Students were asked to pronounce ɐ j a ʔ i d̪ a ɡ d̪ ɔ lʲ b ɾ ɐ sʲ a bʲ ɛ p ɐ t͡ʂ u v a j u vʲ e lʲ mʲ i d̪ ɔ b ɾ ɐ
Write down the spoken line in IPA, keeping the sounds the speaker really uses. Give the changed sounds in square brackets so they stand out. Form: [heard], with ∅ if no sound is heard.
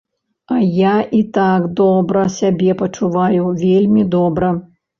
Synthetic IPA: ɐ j a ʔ i [t̪] a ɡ d̪ ɔ [∅] b ɾ ɐ sʲ a bʲ ɛ p ɐ t͡ʂ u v a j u vʲ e lʲ mʲ i d̪ ɔ b ɾ ɐ